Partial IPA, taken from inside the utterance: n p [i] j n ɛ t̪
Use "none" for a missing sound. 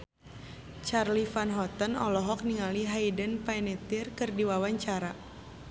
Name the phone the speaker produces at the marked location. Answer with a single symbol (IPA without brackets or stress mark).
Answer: a